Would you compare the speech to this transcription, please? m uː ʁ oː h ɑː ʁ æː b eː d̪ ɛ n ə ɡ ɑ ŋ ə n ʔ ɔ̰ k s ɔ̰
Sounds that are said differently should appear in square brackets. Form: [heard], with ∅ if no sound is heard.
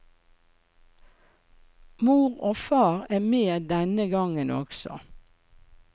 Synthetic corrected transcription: m uː ʁ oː [f] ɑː ʁ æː [m] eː d̪ ɛ n ə ɡ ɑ ŋ ə n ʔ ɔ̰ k s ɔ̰